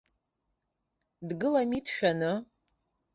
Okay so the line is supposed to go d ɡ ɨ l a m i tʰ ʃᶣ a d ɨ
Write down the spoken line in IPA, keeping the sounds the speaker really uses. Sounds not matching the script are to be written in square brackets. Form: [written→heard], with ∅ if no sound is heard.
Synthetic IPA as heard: d ɡ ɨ l a m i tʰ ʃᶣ a [d→n] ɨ